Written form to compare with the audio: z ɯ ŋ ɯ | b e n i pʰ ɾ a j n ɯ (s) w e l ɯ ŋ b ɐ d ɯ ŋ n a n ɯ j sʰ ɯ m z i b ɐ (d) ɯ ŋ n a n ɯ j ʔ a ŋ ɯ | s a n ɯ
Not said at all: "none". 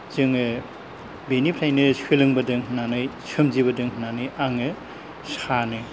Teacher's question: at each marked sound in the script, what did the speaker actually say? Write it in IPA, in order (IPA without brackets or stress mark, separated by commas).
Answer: s, d